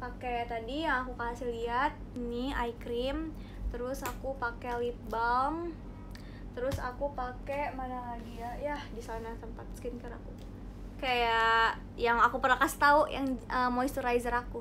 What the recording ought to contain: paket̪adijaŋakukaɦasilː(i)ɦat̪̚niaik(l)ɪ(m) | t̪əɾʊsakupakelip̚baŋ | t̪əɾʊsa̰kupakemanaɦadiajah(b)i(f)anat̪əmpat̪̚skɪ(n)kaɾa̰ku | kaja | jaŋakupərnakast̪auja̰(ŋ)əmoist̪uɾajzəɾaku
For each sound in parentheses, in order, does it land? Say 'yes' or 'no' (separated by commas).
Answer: yes, no, yes, no, no, yes, yes